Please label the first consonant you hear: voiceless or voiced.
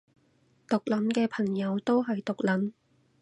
voiceless